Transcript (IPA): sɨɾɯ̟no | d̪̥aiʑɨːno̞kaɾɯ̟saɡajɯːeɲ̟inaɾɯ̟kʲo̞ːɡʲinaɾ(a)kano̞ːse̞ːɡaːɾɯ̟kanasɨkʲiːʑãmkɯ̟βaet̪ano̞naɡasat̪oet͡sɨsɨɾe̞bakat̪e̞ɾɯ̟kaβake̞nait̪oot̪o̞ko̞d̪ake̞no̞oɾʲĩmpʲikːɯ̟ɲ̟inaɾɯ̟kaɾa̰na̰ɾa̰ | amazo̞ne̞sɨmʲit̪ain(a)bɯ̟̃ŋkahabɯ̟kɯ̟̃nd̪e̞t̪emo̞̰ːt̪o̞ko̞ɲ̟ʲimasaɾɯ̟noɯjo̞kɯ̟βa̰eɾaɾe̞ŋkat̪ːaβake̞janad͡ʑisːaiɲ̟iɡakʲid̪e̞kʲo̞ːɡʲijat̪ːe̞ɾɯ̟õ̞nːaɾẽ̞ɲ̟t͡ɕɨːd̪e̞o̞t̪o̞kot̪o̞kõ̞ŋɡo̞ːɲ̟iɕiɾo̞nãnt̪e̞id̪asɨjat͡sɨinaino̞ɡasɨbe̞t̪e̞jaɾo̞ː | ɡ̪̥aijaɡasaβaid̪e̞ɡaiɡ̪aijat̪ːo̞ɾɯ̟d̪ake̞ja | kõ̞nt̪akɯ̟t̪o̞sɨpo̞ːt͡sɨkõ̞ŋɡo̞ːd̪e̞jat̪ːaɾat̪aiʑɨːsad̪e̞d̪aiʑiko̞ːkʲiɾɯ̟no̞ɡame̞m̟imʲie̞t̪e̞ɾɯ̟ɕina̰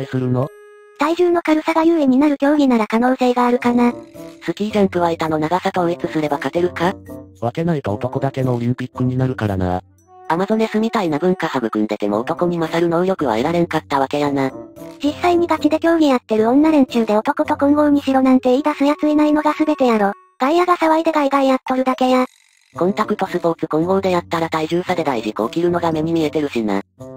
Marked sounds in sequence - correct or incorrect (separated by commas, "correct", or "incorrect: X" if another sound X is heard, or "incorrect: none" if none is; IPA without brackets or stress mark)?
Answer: correct, correct